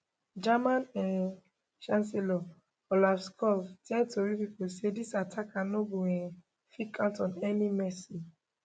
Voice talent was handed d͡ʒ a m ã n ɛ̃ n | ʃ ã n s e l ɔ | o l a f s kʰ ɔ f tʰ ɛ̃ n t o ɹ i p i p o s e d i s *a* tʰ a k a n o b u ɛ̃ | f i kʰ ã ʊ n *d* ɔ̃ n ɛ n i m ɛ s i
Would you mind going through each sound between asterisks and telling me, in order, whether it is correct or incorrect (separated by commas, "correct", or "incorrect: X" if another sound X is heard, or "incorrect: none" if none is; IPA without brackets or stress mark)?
correct, incorrect: t